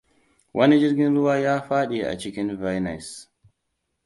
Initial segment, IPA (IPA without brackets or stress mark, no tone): w